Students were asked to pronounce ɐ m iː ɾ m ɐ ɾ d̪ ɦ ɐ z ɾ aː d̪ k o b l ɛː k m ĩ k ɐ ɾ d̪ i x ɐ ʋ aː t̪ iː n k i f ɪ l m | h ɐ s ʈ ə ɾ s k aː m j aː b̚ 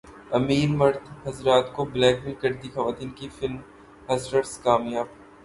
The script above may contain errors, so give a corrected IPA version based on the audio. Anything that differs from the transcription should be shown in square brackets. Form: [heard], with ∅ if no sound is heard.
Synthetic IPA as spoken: ɐ m iː ɾ m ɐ ɾ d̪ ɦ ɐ z ɾ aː [t̪] k o b l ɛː k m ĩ k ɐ ɾ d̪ i x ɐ ʋ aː t̪ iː n k i f ɪ l m | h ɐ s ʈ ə ɾ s k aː m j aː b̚